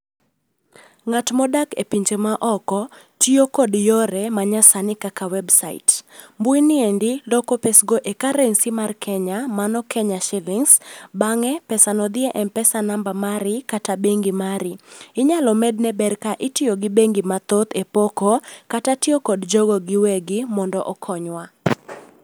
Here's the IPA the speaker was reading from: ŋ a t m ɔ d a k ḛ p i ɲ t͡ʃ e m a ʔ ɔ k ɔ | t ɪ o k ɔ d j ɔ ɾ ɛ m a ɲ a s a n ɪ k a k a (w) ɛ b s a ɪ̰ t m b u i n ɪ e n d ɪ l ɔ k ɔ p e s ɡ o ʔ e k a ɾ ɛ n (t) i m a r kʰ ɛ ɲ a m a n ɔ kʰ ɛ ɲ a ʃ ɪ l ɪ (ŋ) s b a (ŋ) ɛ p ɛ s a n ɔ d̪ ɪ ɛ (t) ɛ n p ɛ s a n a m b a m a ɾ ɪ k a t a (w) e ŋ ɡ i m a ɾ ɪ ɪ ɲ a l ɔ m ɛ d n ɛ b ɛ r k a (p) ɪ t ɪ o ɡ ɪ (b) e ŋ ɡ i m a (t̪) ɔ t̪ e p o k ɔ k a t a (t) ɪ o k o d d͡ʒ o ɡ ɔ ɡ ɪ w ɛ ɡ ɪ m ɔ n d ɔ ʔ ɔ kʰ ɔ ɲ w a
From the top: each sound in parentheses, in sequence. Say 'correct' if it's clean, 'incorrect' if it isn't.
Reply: correct, incorrect, correct, correct, incorrect, incorrect, incorrect, correct, correct, correct

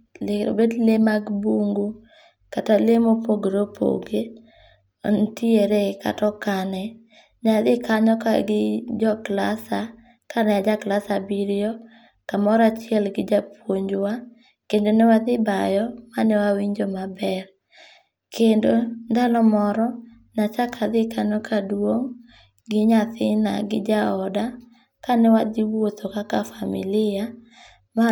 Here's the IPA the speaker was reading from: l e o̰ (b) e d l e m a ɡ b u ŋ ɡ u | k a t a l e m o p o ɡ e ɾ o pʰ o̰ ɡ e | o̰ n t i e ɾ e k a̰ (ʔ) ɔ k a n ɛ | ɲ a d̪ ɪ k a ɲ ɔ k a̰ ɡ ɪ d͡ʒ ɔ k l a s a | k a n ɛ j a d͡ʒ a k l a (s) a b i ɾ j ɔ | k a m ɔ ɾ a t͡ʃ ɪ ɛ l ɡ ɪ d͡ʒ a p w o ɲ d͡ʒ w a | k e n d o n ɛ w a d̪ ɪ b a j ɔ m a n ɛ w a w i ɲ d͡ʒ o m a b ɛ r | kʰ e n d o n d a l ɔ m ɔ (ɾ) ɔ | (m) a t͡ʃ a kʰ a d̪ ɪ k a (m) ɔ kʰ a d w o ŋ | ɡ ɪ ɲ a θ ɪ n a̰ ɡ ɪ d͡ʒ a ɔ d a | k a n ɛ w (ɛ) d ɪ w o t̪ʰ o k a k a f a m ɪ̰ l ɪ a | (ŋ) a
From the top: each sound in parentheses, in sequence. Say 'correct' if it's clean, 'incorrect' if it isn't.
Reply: correct, incorrect, correct, correct, incorrect, incorrect, incorrect, incorrect

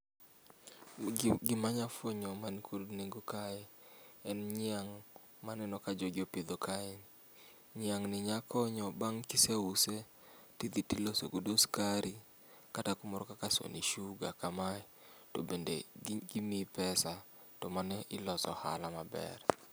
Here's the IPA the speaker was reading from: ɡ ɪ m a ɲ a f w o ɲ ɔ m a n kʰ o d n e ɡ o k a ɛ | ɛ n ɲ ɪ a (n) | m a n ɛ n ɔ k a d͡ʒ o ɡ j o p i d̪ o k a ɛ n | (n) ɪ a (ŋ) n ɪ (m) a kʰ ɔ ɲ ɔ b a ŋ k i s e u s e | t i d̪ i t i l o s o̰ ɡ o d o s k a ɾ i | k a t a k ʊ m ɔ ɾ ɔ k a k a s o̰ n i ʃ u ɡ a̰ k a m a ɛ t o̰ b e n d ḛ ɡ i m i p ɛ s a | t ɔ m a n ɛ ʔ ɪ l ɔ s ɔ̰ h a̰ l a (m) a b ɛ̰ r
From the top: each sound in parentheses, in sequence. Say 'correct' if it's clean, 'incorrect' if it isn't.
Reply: incorrect, incorrect, correct, incorrect, correct

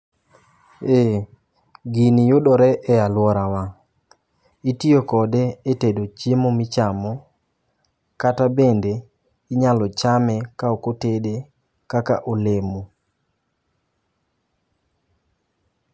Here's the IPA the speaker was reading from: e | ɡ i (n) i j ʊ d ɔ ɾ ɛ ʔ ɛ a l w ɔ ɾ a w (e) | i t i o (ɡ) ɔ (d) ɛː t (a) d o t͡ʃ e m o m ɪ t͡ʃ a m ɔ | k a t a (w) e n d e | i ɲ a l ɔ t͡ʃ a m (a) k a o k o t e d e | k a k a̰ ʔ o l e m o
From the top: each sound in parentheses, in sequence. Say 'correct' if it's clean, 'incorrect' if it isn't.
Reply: correct, incorrect, incorrect, correct, incorrect, incorrect, incorrect

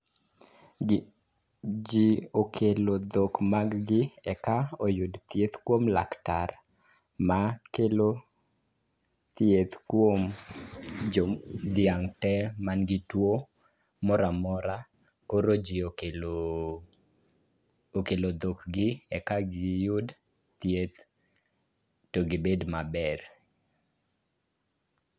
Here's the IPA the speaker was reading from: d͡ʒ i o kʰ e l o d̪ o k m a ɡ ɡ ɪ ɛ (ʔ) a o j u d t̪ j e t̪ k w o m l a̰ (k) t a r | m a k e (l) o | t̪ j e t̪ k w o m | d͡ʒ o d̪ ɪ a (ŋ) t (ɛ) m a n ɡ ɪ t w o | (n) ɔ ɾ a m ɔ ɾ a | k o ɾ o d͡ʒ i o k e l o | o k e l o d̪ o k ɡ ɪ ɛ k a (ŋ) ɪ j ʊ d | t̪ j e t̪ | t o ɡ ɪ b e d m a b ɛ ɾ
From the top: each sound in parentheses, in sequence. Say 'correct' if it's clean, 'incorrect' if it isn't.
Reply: incorrect, correct, correct, correct, correct, incorrect, incorrect

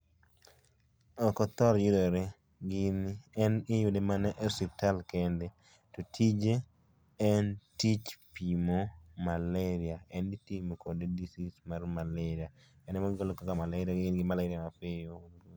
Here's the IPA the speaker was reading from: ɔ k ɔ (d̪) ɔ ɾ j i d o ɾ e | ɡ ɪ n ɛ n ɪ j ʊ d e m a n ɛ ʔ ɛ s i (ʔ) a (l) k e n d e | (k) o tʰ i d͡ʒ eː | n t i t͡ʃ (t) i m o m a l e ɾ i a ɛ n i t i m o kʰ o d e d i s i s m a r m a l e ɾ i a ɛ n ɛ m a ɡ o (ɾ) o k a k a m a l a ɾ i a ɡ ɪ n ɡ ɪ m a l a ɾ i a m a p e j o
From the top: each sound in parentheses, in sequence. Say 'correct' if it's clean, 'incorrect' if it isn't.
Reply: incorrect, incorrect, correct, incorrect, incorrect, incorrect

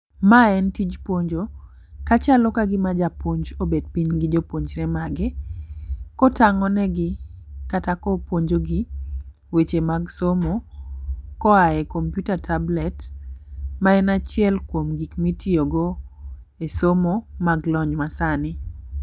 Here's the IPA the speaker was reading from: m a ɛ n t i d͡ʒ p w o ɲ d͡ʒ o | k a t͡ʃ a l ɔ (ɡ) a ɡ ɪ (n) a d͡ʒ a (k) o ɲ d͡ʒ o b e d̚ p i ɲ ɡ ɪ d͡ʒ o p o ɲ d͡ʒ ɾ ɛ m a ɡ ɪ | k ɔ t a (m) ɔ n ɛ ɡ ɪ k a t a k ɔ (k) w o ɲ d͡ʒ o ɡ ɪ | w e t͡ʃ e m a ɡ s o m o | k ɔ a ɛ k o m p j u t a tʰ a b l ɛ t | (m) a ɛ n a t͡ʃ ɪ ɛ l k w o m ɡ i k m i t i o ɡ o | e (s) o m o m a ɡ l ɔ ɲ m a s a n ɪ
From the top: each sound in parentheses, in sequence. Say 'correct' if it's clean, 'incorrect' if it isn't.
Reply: incorrect, incorrect, incorrect, incorrect, incorrect, correct, correct

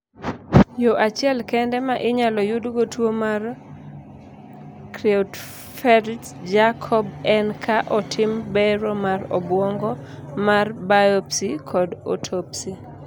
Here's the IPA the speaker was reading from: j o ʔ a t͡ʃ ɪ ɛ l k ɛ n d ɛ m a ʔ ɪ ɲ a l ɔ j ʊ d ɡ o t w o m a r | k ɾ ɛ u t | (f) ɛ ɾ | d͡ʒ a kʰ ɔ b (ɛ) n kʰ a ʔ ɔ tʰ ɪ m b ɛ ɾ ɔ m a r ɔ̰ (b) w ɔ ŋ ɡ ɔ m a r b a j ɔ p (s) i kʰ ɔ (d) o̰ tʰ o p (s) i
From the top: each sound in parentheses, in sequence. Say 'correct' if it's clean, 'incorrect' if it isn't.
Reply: correct, correct, correct, correct, correct, correct

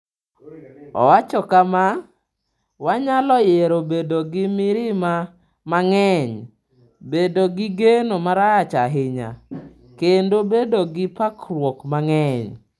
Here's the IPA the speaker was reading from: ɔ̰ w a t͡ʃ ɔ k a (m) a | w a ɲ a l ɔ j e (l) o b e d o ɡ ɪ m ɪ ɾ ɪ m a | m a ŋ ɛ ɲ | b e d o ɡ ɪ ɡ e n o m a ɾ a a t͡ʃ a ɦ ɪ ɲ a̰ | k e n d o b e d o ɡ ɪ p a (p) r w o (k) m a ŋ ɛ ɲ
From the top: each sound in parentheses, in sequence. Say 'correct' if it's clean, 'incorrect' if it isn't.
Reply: correct, incorrect, incorrect, correct

